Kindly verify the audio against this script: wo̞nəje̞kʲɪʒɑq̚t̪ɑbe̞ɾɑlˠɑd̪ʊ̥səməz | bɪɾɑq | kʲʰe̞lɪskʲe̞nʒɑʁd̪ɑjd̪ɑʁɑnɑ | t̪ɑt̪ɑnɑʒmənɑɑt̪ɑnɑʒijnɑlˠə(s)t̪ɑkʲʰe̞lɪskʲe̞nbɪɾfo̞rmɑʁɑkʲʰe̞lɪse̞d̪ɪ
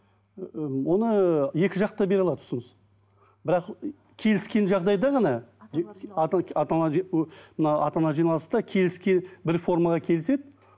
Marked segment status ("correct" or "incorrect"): correct